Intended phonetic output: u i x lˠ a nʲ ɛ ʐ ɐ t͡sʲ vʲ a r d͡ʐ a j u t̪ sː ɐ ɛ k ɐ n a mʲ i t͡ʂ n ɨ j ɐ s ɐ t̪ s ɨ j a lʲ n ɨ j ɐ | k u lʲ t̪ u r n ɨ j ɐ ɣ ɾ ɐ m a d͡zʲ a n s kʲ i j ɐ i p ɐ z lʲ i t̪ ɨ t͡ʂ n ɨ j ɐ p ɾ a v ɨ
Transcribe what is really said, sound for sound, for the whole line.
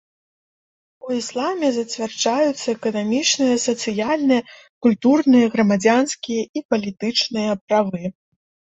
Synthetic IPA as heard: u i s lˠ a mʲ ɛ z ɐ t͡sʲ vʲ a r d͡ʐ a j u t̪ sː ɐ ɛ k ɐ n a mʲ i t͡ʂ n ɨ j ɐ s ɐ t̪ s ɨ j a lʲ n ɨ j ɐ | k u lʲ t̪ u r n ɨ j ɐ ɣ ɾ ɐ m a d͡zʲ a n s kʲ i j ɐ i p ɐ lʲ i t̪ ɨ t͡ʂ n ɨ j ɐ p ɾ a v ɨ